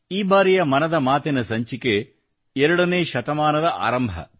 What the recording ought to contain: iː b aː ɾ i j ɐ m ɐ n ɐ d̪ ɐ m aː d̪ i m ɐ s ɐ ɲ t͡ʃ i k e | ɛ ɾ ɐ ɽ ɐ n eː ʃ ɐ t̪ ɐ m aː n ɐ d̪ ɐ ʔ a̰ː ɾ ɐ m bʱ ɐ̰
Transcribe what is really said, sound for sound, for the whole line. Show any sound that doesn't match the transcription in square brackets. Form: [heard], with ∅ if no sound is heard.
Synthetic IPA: iː b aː ɾ i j ɐ m ɐ n ɐ d̪ ɐ m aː [t̪] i [n] ɐ s ɐ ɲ t͡ʃ i k e | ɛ ɾ ɐ ɽ ɐ n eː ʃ ɐ t̪ ɐ m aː n ɐ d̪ ɐ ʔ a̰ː ɾ ɐ m bʱ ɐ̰